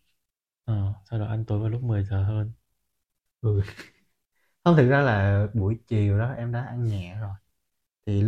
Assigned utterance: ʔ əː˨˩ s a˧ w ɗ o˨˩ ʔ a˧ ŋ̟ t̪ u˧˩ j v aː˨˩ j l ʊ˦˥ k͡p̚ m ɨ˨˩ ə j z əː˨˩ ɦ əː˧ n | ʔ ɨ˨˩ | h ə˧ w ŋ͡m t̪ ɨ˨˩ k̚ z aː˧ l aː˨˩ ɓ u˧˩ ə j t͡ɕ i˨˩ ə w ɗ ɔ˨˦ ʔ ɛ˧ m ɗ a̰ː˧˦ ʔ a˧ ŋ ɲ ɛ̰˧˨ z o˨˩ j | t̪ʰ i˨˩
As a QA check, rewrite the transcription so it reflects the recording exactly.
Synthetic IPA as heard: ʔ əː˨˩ s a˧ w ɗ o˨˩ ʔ a˧ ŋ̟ t̪ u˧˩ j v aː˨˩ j l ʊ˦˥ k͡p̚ m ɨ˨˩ ə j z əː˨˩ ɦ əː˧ n | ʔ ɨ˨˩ | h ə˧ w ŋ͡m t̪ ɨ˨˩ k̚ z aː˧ l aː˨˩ ɓ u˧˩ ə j t͡ɕ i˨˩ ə w ɗ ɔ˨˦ ʔ ɛ˧ m ɗ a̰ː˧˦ ʔ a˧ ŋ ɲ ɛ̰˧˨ z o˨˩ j | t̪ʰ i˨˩